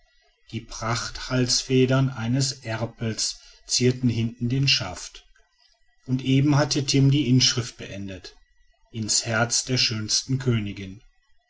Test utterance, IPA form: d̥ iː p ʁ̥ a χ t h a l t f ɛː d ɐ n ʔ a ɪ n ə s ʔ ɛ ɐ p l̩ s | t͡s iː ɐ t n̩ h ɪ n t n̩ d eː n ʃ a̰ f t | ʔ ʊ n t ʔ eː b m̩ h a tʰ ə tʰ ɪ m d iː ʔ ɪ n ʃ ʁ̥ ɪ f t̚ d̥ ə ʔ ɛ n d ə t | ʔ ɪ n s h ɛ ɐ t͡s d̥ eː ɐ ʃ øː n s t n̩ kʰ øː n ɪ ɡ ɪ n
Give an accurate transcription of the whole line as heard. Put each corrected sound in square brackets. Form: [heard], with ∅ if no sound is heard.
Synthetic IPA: d̥ iː p ʁ̥ a χ t h a l [s] f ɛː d ɐ n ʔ a ɪ n ə s ʔ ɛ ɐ p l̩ s | t͡s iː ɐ t n̩ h ɪ n t n̩ d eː n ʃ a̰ f t | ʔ ʊ n t ʔ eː b m̩ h a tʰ ə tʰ ɪ m d iː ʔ ɪ n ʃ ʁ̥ ɪ f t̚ [b̥] ə ʔ ɛ n d ə t | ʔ ɪ n s h ɛ ɐ t͡s d̥ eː ɐ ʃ øː n s t n̩ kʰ øː n ɪ ɡ ɪ n